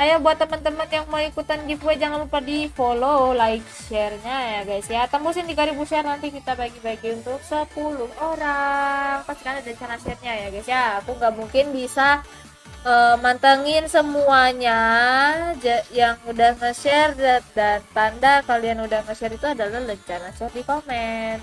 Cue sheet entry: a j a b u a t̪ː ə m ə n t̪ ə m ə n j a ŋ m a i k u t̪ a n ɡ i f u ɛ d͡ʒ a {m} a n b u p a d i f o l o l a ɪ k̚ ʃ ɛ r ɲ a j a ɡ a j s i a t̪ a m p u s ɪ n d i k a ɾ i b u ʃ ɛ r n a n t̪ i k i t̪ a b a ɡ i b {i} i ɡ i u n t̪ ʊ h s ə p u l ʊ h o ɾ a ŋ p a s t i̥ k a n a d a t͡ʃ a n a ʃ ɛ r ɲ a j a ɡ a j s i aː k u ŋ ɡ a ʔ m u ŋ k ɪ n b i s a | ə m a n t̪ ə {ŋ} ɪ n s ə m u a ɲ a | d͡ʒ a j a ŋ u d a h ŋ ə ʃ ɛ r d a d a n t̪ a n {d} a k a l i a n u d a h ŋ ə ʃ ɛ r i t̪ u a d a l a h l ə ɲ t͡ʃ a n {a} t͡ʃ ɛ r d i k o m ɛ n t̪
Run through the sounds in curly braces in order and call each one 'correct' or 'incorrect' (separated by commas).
incorrect, incorrect, correct, correct, correct